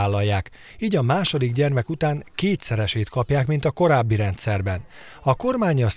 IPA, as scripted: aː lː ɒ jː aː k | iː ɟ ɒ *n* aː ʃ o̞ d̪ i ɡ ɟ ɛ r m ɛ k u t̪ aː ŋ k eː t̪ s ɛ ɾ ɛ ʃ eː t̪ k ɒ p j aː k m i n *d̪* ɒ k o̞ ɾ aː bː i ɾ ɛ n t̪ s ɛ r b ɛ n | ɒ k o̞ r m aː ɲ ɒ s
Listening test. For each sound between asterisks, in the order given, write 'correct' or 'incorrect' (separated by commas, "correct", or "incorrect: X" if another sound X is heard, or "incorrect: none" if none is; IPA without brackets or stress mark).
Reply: incorrect: m, incorrect: t̪